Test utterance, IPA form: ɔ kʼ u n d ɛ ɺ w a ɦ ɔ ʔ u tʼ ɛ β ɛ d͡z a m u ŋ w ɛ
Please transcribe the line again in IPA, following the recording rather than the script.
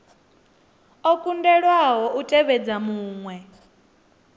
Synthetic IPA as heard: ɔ kʼ u n d ɛ ɺ w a ɦ ɔ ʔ u tʼ ɛ β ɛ d͡z a m uː ŋ w ɛ